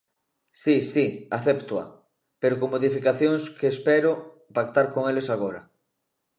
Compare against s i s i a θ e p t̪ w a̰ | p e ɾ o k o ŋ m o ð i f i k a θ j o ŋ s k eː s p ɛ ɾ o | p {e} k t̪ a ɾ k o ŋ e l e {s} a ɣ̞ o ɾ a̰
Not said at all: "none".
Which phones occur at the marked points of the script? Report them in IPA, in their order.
a, s

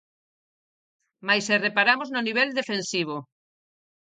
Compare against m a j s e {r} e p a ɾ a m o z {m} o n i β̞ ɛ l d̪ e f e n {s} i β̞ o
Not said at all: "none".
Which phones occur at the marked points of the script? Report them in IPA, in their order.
r, n, s

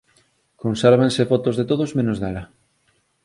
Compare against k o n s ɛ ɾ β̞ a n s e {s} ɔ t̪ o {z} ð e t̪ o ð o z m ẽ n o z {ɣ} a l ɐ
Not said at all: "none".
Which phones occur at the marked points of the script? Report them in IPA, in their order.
f, z, ð

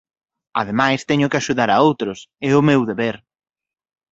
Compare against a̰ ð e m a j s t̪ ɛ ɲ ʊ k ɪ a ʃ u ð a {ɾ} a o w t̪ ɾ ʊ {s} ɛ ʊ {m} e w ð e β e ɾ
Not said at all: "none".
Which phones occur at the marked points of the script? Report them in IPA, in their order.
ɾ, s, m

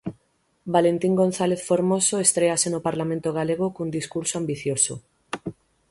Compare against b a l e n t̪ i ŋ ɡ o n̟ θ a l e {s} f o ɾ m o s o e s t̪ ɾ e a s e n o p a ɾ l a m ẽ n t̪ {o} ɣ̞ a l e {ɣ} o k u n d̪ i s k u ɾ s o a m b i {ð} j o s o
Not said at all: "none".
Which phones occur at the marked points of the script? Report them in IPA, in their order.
θ, o, ɣ, θ

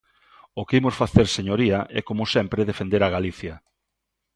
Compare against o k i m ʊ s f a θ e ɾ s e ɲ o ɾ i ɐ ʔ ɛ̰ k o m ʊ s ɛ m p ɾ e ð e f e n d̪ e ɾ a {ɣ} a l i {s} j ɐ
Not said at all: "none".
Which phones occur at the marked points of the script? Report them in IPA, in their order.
ɣ, θ

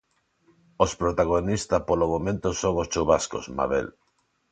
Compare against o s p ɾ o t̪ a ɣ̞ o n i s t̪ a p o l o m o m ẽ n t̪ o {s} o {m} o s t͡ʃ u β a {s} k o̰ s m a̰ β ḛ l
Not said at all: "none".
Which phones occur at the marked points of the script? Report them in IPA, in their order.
s, ŋ, s

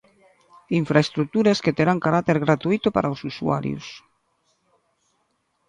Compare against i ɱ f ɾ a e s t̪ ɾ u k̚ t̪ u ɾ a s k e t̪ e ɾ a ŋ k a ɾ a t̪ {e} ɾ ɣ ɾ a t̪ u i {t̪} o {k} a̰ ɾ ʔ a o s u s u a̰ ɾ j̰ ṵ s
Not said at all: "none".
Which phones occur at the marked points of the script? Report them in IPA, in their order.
e, t̪, p

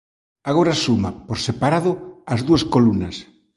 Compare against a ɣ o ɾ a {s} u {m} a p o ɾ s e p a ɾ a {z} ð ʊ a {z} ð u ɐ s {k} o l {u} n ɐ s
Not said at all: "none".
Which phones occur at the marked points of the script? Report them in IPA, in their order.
s, m, none, z, k, u

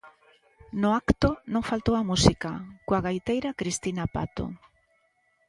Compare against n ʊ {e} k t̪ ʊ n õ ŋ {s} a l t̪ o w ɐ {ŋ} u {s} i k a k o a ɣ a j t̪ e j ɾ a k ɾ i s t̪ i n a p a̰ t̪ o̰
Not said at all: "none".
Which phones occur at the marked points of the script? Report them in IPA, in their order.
a, f, m, s

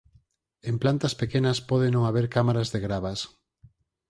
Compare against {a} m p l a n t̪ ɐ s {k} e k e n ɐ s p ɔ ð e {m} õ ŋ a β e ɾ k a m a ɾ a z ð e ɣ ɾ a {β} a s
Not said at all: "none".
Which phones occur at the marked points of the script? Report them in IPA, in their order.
e, p, n, β

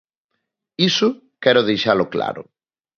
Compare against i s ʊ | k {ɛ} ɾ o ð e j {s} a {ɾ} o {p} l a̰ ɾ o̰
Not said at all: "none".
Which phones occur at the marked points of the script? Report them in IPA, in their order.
ɛ, ʃ, l, k

